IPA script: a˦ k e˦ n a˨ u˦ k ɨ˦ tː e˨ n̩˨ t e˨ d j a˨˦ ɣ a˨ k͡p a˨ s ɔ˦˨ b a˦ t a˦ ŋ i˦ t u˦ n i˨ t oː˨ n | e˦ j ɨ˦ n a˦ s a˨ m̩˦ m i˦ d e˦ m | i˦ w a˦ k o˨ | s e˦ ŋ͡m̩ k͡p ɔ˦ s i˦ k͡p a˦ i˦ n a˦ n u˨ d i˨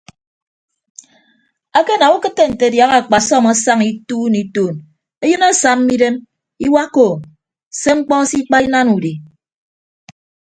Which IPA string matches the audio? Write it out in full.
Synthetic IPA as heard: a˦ k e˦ n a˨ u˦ k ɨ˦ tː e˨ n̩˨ t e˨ d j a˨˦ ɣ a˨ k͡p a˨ s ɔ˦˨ m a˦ s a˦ ŋ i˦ t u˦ n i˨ t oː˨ n | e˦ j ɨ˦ n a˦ s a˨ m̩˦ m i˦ d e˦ m | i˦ w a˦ k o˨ | s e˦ ŋ͡m̩ k͡p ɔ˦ s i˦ k͡p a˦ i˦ n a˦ n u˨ d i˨